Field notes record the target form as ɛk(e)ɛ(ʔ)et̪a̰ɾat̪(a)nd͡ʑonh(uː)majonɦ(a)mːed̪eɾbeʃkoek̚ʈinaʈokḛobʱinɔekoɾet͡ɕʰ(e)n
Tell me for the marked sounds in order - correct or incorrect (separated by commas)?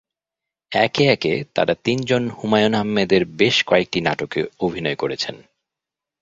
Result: correct, incorrect, incorrect, incorrect, correct, correct